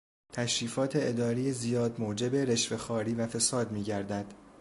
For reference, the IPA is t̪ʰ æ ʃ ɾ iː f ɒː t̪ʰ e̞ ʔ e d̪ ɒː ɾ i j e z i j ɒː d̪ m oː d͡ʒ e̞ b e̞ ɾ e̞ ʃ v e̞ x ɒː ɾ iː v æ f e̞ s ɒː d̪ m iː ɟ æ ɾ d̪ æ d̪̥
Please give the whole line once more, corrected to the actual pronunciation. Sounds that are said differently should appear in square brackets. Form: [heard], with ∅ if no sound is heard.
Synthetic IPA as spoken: t̪ʰ æ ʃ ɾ iː f ɒː t̪ʰ e̞ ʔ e d̪ ɒː ɾ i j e z i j ɒː d̪ m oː d͡ʒ e̞ b e̞ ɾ e̞ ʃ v e̞ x ɒː ɾ iː v æ f e̞ s ɒː d̪ m iː ɟ æ ɾ d̪ æ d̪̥